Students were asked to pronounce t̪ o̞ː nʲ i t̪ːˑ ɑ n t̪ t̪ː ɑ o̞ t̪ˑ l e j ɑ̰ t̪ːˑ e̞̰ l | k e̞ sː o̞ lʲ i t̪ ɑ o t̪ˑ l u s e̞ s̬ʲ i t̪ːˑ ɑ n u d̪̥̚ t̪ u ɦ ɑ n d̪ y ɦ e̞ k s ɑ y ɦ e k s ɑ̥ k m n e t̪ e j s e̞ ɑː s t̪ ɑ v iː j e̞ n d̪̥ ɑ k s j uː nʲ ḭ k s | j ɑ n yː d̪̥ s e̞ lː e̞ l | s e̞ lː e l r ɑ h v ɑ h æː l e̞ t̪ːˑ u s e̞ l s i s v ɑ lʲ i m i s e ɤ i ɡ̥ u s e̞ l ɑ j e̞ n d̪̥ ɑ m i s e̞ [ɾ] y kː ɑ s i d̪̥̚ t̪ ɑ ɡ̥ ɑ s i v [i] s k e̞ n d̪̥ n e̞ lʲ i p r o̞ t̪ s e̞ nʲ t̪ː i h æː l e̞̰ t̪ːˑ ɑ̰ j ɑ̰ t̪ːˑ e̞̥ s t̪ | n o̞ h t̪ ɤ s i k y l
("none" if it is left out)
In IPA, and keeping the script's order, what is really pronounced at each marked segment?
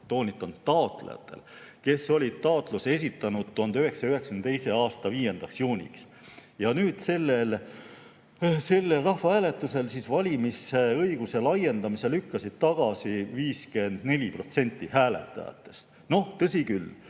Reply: l, iː

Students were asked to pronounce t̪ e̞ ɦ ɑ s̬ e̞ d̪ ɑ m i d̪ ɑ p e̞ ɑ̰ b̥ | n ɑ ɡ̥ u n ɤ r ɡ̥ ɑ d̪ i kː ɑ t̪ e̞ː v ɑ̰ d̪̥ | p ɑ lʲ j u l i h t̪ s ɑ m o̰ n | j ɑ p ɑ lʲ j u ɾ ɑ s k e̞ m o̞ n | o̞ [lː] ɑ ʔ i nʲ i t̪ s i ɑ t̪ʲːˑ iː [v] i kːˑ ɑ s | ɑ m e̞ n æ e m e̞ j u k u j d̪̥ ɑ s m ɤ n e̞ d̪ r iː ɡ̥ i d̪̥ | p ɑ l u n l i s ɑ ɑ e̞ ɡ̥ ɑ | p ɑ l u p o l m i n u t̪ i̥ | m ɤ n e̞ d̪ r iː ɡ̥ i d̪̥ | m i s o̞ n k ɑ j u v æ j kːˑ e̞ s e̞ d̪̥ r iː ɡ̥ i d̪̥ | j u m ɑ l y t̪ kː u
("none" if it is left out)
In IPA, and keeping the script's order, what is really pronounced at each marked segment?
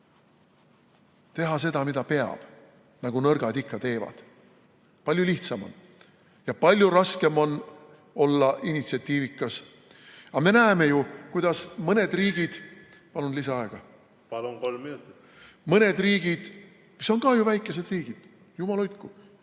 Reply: lː, v

